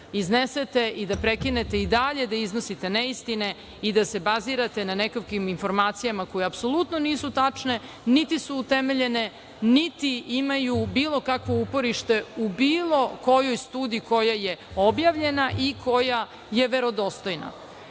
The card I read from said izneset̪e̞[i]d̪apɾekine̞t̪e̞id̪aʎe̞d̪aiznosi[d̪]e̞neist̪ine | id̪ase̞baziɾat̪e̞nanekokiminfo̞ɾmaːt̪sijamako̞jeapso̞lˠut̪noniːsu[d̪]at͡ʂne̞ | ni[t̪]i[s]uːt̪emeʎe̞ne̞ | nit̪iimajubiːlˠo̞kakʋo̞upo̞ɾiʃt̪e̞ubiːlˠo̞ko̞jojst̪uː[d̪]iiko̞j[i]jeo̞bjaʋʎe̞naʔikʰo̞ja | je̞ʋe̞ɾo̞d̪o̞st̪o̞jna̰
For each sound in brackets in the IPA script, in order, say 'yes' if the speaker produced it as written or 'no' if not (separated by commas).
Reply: yes, no, no, yes, yes, yes, no